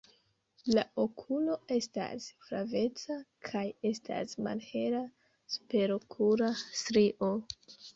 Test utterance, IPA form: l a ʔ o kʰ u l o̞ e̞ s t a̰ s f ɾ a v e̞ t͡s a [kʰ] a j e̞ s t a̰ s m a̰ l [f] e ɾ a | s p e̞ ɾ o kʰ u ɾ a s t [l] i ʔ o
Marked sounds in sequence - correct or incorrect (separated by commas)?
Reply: correct, incorrect, incorrect